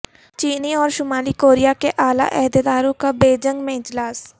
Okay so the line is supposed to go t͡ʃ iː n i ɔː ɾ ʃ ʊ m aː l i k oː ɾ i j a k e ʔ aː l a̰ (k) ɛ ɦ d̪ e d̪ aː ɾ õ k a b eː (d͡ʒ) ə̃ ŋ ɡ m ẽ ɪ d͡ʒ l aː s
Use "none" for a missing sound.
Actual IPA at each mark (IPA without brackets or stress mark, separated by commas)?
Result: ʔ, d͡ʒ